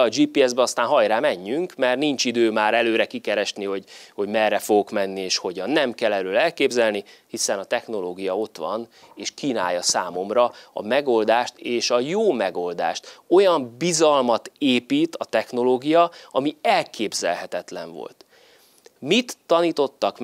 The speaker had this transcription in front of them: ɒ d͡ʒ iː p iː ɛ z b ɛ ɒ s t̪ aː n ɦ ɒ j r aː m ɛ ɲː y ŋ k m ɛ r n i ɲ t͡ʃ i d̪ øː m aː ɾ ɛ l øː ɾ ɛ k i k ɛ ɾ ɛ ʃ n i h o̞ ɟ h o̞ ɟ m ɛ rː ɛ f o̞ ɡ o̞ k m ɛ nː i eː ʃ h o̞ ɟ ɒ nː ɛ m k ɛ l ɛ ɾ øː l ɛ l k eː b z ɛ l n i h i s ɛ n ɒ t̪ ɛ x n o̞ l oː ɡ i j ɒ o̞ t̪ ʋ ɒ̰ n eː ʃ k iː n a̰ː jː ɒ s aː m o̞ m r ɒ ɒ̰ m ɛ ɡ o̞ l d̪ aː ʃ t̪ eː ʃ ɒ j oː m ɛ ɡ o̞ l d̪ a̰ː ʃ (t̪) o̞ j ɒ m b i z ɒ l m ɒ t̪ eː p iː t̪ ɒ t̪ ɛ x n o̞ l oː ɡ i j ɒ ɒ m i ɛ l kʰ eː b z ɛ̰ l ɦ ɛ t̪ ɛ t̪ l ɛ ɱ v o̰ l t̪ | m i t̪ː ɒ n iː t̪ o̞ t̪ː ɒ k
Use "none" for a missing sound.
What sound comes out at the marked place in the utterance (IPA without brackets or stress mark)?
t̪